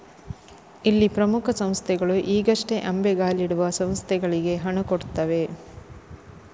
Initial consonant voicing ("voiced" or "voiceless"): voiced